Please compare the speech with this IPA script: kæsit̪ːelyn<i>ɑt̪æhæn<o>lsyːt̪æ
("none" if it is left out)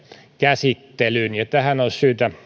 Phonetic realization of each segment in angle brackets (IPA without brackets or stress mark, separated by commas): j, o